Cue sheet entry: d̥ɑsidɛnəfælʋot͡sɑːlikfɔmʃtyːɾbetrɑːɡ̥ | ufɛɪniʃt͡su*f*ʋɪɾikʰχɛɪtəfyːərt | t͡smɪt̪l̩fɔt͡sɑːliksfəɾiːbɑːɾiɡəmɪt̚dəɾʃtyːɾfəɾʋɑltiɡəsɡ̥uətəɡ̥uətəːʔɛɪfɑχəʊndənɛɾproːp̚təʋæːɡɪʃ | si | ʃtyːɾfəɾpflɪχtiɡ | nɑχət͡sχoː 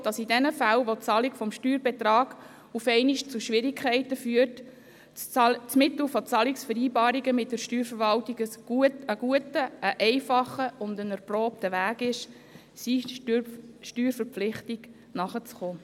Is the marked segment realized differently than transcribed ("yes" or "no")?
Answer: yes